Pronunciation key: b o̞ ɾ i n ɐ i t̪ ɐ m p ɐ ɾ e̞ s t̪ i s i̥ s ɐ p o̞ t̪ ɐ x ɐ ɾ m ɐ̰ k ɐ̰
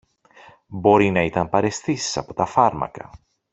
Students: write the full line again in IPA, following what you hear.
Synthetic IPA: b o̞ ɾ i n ɐ i t̪ ɐ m p ɐ ɾ e̞ s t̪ i s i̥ s ɐ p o̞ t̪ ɐ f ɐ ɾ m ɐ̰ k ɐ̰